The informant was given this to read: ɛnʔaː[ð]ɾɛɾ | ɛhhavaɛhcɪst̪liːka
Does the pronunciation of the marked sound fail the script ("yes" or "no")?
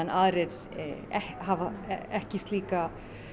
no